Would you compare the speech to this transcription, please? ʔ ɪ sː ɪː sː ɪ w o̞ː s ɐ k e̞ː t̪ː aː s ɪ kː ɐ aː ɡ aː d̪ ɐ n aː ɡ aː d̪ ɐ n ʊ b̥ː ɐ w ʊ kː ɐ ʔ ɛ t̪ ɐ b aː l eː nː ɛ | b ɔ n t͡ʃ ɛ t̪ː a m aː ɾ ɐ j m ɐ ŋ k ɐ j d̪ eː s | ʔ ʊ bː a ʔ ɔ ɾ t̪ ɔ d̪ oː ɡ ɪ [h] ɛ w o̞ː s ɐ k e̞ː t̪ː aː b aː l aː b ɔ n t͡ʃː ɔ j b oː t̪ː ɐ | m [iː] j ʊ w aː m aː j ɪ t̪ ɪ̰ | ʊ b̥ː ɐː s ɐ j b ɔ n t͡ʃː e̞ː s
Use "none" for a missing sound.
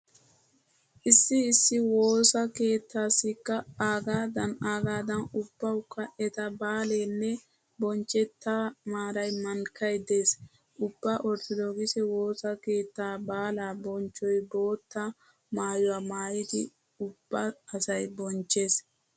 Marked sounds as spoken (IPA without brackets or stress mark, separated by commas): s, aː